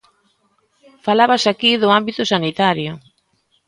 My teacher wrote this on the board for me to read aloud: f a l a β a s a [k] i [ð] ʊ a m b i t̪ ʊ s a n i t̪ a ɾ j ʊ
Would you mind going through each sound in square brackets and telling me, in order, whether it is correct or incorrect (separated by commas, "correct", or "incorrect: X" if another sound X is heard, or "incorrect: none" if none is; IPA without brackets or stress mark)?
correct, correct